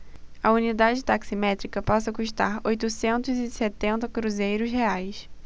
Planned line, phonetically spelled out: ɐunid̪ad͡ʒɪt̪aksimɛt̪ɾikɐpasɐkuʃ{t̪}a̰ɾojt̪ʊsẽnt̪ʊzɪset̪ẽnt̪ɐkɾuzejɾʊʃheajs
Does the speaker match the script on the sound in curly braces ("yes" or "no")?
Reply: yes